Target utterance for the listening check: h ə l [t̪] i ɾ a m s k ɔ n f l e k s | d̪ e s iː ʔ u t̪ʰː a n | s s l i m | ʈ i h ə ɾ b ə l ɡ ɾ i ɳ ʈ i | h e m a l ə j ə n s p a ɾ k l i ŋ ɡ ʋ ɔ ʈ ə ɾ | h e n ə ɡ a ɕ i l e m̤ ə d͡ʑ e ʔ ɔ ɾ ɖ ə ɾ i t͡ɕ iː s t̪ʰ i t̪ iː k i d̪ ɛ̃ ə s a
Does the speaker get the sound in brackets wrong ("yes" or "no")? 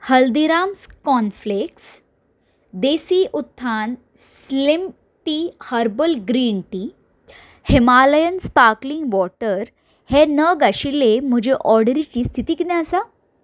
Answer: yes